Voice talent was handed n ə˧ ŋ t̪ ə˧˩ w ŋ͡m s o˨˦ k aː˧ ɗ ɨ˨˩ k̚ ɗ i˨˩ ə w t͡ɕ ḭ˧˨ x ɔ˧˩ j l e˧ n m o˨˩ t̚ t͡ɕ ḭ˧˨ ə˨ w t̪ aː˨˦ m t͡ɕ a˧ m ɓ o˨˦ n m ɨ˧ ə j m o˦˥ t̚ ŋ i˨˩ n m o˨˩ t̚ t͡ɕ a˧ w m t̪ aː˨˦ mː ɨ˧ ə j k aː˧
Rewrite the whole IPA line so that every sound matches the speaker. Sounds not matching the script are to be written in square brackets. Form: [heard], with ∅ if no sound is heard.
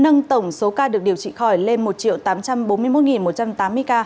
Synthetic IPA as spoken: n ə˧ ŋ t̪ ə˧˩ w ŋ͡m s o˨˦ k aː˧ ɗ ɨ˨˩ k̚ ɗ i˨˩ ə w t͡ɕ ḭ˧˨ x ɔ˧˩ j l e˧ n m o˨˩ t̚ t͡ɕ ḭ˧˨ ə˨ w t̪ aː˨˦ m t͡ɕ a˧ m ɓ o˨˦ n m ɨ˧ ə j m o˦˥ t̚ ŋ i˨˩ n m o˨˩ t̚ t͡ɕ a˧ [∅] m t̪ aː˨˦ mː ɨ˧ ə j k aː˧